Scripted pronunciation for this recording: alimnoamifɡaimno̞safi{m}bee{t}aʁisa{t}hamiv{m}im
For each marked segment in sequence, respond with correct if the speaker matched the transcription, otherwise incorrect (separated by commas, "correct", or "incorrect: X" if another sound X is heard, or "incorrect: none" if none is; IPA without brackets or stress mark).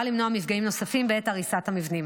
correct, correct, correct, incorrect: n